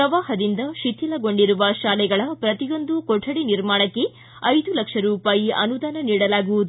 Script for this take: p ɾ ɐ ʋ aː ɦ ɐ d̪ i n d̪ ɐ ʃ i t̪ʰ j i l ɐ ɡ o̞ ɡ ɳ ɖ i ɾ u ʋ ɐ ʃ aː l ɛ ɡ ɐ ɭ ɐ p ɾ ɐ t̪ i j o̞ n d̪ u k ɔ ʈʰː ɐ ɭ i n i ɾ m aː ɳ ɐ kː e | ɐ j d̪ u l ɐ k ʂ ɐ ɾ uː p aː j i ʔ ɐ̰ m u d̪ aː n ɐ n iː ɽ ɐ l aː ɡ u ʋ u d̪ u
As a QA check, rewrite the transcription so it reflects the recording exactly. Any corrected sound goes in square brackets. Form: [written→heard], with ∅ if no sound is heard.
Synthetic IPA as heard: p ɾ ɐ ʋ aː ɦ ɐ d̪ i n d̪ ɐ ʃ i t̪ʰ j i l ɐ ɡ o̞ [ɡ→∅] ɳ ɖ i ɾ u ʋ ɐ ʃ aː l ɛ ɡ ɐ ɭ ɐ p ɾ ɐ t̪ i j o̞ n d̪ u k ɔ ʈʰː ɐ [ɭ→ɽ] i n i ɾ m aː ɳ ɐ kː e | ɐ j d̪ u l ɐ k ʂ ɐ ɾ uː p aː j i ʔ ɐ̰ [m→n] u d̪ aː n ɐ n iː ɽ ɐ l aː ɡ u ʋ u d̪ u

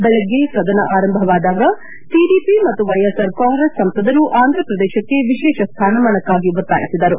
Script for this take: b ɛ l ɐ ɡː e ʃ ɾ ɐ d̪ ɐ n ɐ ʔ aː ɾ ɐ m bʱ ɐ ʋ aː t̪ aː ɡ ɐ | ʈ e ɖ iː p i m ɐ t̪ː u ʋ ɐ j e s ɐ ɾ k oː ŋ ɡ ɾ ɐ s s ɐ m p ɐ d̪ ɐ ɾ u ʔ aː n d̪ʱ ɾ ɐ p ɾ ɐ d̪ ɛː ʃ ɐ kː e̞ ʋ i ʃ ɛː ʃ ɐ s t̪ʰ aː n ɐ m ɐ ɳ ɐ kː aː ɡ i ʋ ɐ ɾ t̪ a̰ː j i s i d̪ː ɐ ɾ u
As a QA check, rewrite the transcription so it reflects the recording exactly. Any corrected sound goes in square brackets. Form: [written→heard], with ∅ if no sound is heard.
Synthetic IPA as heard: b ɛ l ɐ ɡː e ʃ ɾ ɐ d̪ ɐ n ɐ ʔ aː ɾ ɐ m bʱ ɐ ʋ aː [t̪→d̪] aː ɡ ɐ | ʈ [e→i] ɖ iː p i m ɐ t̪ː u ʋ ɐ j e s ɐ ɾ k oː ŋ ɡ ɾ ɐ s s ɐ m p ɐ d̪ ɐ ɾ u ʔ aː n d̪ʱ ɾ ɐ p ɾ ɐ d̪ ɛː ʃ ɐ kː e̞ ʋ i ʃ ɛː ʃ ɐ s t̪ʰ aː n ɐ m ɐ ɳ ɐ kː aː ɡ i ʋ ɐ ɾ t̪ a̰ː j i s i [d̪ː→d̪] ɐ ɾ u

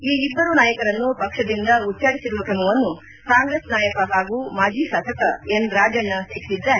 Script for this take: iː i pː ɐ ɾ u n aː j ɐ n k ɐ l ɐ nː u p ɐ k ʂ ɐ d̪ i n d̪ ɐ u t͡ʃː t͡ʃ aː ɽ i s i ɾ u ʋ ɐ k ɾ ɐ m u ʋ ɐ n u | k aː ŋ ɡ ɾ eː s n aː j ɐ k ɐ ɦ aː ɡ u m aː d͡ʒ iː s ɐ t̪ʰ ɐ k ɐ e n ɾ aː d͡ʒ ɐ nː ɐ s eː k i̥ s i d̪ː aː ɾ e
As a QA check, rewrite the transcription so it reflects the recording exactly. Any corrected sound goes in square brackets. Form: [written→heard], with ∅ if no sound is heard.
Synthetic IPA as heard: iː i [pː→bː] ɐ ɾ u n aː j ɐ [n→∅] k ɐ [l→ɾ] ɐ nː u p ɐ k ʂ ɐ d̪ i n d̪ ɐ u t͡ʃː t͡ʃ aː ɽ i s i ɾ u ʋ ɐ k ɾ ɐ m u ʋ ɐ [n→nː] u | k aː ŋ ɡ ɾ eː s n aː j ɐ k ɐ ɦ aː ɡ u m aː d͡ʒ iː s ɐ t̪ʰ ɐ k ɐ e n ɾ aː d͡ʒ ɐ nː ɐ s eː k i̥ s i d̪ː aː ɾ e

